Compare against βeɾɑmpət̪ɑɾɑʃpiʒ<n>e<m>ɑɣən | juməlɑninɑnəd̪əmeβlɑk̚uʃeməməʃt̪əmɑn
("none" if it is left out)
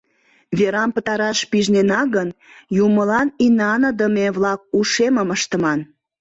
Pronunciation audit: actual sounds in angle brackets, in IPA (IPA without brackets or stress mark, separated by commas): n, n